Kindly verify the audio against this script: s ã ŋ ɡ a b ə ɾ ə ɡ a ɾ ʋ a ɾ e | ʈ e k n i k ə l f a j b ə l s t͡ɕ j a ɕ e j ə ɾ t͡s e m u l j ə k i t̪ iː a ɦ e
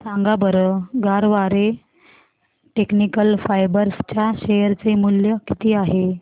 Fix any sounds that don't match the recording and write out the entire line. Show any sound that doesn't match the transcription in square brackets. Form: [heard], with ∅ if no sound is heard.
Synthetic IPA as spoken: s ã ŋ ɡ a b ə ɾ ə ɡ a ɾ ʋ a ɾ e | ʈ e k n i k ə l f a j b ə [ɾ] s t͡ɕ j a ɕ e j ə ɾ t͡s e m u l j ə k i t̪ iː a ɦ e